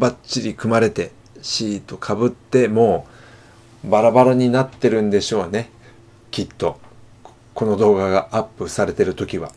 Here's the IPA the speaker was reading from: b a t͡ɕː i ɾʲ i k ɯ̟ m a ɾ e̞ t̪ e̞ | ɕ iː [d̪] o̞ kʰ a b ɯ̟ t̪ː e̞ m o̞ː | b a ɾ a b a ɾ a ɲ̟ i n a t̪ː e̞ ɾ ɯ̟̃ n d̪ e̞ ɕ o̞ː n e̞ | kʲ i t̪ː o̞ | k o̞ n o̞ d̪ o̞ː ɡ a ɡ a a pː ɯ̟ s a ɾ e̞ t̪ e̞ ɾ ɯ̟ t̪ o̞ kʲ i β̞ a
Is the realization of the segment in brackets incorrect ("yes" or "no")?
yes